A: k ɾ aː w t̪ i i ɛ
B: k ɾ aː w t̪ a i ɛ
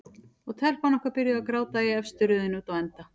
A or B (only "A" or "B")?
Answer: B